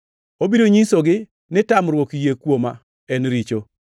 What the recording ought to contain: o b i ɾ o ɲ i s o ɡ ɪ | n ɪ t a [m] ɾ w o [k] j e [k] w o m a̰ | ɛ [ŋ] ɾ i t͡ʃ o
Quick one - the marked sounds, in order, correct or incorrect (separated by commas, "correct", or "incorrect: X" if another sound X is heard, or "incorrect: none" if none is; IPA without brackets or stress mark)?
correct, correct, correct, incorrect: n